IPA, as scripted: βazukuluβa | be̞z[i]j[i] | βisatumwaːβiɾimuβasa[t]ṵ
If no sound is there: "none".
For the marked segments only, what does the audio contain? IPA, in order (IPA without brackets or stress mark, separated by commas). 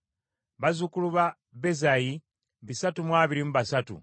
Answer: a, i, t